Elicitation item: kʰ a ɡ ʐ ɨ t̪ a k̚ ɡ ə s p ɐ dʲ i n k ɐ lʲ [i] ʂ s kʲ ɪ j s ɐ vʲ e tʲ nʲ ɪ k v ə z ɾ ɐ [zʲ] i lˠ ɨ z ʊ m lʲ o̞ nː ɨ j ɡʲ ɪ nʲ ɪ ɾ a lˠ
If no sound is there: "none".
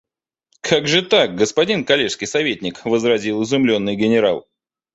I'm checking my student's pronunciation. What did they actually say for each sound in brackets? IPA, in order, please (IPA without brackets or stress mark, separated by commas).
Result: e, zʲ